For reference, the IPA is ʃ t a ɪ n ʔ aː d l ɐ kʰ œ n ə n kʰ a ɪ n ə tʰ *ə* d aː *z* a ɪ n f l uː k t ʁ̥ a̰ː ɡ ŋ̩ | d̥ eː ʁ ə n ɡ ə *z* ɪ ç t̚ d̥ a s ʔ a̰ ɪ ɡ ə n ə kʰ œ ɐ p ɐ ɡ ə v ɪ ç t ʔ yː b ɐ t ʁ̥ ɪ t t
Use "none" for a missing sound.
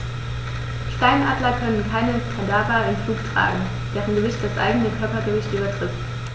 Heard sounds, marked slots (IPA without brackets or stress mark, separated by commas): a, ʁ, v